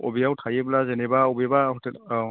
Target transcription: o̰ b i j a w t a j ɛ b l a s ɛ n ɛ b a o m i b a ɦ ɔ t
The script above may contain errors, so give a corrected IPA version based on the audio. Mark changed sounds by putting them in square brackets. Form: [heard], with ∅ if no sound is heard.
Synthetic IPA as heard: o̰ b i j a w [tʰ] a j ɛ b l a [z] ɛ n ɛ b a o [b] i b a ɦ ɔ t